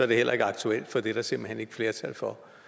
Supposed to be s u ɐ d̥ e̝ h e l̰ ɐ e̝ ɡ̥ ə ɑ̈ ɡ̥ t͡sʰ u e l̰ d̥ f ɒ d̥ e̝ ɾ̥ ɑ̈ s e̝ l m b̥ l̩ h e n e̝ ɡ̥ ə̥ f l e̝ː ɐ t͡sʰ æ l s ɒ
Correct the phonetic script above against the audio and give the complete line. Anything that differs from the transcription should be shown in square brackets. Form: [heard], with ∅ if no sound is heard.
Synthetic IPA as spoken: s [ɒ] ɐ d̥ e̝ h e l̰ ɐ e̝ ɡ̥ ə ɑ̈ ɡ̥ t͡sʰ u e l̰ d̥ f ɒ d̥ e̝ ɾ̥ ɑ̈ s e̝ [∅] m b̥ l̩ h e n e̝ ɡ̥ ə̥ f l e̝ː ɐ t͡sʰ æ l [f] ɒ